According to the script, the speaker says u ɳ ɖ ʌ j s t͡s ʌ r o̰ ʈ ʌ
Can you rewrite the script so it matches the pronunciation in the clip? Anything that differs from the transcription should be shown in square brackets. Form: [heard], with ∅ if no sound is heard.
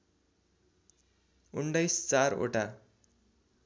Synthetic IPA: u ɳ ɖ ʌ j s t͡s [a] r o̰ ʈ [a]